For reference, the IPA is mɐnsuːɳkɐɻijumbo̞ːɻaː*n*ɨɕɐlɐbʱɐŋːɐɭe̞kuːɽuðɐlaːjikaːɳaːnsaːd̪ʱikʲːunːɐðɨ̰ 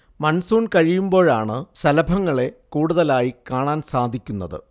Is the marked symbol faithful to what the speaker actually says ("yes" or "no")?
no